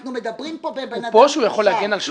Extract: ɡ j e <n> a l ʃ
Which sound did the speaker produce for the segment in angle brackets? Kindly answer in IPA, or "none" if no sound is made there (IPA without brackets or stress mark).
n